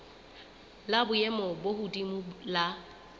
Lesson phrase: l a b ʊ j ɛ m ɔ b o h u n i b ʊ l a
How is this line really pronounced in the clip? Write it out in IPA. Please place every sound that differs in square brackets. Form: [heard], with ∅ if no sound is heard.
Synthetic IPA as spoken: l a b ʊ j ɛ m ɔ b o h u [d] i [m] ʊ l a